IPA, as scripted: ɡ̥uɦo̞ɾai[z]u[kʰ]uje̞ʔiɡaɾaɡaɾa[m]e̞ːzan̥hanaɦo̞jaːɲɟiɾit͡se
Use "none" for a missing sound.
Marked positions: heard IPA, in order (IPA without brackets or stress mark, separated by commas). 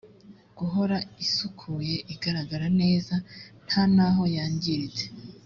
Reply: s, kʰ, n